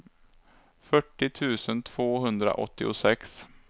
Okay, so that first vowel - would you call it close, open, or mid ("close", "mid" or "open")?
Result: mid